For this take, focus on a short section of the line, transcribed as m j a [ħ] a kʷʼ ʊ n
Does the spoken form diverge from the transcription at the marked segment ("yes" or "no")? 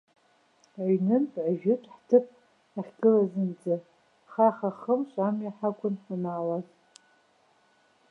no